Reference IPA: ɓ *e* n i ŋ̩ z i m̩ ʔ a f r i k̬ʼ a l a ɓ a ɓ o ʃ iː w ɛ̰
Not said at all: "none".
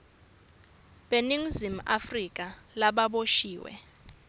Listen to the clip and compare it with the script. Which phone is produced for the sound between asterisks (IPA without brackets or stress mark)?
e